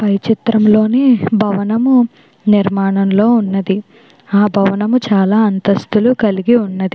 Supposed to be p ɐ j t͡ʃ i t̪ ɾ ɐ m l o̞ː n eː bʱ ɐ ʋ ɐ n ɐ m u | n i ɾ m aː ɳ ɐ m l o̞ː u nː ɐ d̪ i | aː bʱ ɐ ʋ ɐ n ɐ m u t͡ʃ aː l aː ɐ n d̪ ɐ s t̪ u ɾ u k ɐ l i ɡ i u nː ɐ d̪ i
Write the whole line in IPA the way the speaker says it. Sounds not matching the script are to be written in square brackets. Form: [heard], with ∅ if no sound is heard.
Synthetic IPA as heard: p ɐ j t͡ʃ i t̪ ɾ ɐ m l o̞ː n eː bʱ ɐ ʋ ɐ n ɐ m u | n i ɾ m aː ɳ ɐ m l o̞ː u nː ɐ d̪ i | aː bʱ ɐ ʋ ɐ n ɐ m u t͡ʃ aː l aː ɐ n [t̪] ɐ s t̪ u [l] u k ɐ l i ɡ i u nː ɐ d̪ i